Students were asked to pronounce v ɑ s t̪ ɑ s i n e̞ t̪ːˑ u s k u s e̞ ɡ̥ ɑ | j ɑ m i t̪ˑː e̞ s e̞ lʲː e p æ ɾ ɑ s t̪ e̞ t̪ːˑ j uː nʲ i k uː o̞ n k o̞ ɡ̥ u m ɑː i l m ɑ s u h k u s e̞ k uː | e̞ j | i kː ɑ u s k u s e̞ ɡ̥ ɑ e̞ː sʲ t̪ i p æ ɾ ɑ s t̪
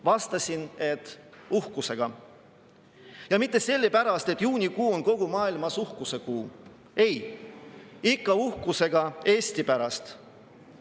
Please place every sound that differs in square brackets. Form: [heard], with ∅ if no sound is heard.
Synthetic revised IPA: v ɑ s t̪ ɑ s i n e̞ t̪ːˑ u [h] k u s e̞ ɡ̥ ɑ | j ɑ m i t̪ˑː e̞ s e̞ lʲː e p æ ɾ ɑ s t̪ e̞ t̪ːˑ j uː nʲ i k uː o̞ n k o̞ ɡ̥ u m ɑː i l m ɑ s u h k u s e̞ k uː | e̞ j | i kː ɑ u [h] k u s e̞ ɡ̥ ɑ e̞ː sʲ t̪ i p æ ɾ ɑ s t̪